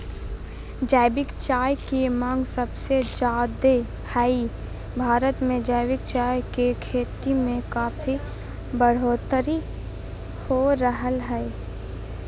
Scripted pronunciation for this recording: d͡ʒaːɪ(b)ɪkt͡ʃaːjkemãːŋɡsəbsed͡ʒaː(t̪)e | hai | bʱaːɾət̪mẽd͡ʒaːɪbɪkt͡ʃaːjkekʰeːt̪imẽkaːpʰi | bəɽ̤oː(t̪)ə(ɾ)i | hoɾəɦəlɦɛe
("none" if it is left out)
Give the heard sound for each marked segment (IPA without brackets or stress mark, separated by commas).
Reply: b, d̪, t̪, ɾ